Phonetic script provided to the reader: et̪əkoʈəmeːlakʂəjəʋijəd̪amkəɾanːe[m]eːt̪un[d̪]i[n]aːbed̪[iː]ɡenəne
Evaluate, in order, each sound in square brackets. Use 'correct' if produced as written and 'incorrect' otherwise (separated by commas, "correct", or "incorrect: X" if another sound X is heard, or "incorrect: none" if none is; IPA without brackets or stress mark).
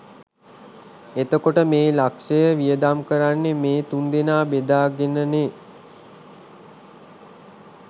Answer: correct, correct, correct, incorrect: aː